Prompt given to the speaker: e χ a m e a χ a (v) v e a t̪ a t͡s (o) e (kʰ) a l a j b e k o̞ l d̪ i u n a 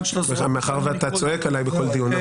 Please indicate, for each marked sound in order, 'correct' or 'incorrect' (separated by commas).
incorrect, correct, incorrect